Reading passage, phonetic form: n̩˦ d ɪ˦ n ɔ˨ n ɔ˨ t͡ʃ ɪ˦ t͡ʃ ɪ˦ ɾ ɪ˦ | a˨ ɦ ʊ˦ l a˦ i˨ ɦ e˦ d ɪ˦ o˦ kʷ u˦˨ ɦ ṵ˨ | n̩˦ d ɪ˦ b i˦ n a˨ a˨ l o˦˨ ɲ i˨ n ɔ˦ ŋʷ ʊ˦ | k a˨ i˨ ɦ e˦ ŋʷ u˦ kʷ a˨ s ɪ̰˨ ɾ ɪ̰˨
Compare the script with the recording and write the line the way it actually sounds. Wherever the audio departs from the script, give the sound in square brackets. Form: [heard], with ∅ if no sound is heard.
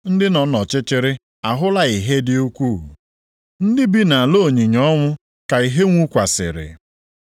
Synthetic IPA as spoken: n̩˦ d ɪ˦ n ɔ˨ n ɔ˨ t͡ʃ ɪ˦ t͡ʃ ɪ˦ ɾ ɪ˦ | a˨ ɦ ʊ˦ l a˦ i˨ ɦ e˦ d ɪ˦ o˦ kʷ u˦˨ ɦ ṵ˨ | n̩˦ d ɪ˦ b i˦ n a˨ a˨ l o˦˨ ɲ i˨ [ɲ] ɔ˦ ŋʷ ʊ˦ | k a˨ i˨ ɦ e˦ ŋʷ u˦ kʷ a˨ s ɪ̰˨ ɾ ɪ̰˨